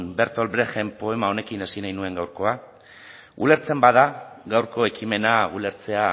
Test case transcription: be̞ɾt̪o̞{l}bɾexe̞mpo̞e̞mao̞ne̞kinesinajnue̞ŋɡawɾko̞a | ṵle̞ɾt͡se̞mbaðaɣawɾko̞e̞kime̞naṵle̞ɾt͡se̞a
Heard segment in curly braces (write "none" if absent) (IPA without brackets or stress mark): l